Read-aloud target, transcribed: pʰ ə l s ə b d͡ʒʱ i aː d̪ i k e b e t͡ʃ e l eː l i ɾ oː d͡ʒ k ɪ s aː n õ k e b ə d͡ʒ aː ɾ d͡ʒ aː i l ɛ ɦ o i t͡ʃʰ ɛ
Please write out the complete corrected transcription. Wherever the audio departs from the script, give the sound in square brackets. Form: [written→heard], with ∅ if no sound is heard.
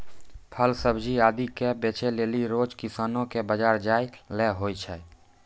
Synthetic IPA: pʰ ə l s ə b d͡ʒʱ i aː d̪ i k e b e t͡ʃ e l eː l i ɾ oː d͡ʒ k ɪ s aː n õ k e b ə d͡ʒ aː ɾ d͡ʒ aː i l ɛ ɦ o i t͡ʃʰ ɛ